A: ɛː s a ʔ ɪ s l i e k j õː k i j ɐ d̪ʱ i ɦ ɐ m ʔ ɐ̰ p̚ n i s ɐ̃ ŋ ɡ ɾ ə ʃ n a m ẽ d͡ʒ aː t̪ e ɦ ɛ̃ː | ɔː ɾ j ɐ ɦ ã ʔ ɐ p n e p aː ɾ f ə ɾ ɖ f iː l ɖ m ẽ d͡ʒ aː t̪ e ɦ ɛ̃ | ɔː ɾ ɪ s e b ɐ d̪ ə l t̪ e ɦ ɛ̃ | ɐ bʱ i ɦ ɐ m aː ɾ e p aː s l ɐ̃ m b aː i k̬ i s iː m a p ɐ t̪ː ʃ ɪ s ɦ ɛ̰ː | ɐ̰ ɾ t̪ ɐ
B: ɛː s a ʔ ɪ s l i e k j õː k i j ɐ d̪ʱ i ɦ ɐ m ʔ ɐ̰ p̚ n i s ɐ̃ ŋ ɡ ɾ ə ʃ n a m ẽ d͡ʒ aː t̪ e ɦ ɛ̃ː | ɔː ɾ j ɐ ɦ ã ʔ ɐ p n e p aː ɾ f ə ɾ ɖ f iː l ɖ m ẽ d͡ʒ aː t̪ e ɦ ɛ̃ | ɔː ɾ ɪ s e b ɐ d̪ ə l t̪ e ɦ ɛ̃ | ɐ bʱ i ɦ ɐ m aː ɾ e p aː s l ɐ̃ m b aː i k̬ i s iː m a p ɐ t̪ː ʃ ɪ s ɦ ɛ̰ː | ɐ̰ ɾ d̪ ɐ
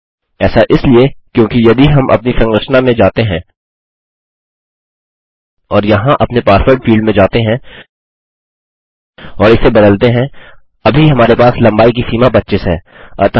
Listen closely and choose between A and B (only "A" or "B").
A